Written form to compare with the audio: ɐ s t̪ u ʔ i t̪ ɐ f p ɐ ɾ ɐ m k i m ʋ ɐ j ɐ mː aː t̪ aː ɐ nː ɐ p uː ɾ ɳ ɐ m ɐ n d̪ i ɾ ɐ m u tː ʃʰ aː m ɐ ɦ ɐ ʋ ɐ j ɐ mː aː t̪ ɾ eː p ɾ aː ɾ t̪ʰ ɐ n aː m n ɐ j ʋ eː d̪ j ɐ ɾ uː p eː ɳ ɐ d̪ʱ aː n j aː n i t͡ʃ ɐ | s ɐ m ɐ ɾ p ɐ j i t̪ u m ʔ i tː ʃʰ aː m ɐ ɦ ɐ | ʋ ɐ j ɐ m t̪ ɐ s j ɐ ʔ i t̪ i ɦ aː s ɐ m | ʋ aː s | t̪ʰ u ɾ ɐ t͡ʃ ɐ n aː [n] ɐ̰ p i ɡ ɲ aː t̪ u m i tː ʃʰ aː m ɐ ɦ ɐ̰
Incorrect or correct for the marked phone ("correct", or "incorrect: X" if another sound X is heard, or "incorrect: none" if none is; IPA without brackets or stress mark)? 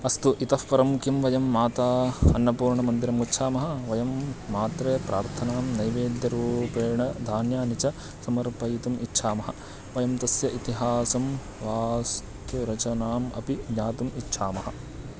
incorrect: m